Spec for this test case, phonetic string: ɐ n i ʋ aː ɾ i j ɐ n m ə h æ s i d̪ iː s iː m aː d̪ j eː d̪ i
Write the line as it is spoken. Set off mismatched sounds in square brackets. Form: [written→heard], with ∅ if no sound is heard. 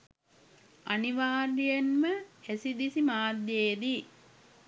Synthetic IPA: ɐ n i ʋ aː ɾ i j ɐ n m ə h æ s i d̪ [iː→i] s [iː→i] m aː d̪ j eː d̪ i

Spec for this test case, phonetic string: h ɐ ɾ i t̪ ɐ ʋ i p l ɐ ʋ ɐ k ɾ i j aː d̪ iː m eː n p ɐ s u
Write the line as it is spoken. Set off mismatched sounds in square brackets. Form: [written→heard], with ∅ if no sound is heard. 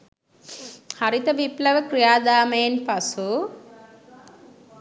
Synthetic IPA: h ɐ ɾ i t̪ ɐ ʋ i p l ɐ ʋ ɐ k ɾ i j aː d̪ [iː→aː] m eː n p ɐ s u

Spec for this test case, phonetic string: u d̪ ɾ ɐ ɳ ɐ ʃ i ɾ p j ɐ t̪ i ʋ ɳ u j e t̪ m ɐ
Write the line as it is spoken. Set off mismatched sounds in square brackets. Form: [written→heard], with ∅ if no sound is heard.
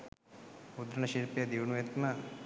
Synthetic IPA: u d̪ ɾ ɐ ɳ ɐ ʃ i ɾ p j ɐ [t̪→d̪] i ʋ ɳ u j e t̪ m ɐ

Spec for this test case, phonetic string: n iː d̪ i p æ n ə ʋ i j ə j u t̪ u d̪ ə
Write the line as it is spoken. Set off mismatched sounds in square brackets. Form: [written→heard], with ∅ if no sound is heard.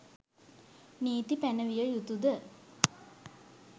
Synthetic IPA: n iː [d̪→t̪] i p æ n ə ʋ i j ə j u t̪ u d̪ ə

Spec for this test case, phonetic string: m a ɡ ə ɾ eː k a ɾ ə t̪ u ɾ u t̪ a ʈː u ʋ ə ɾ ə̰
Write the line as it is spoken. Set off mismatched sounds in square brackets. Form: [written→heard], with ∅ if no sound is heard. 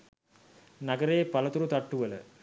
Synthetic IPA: [m→n] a ɡ ə ɾ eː [k→p] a [ɾ→l] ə t̪ u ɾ u t̪ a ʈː u ʋ ə [ɾ→l] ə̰

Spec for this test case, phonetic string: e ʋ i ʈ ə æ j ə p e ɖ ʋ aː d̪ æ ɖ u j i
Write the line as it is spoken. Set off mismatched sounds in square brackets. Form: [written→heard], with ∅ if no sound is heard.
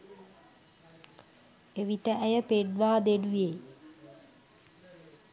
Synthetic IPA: e ʋ i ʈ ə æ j ə p e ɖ ʋ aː d̪ [æ→e] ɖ u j [i→e]

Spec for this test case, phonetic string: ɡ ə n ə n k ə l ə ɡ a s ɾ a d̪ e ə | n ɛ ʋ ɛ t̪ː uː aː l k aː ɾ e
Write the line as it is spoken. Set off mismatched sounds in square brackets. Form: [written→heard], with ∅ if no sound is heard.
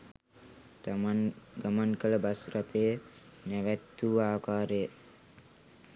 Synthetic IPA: ɡ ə [n→m] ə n k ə l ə [ɡ→b] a s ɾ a [d̪→t̪] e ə | n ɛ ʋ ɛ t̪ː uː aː [l→∅] k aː ɾ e

